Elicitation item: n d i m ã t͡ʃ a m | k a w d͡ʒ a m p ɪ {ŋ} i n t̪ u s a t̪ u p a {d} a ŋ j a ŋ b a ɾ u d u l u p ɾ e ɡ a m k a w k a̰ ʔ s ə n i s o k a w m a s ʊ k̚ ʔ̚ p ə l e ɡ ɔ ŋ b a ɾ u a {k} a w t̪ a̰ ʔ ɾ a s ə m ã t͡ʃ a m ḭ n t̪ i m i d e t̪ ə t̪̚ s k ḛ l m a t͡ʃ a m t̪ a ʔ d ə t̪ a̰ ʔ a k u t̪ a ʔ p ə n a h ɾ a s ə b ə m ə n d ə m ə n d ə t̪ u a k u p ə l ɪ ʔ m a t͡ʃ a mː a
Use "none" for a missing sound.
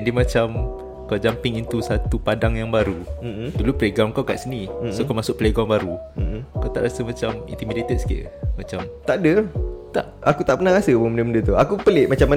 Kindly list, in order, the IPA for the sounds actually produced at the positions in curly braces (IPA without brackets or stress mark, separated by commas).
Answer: ŋ, d, k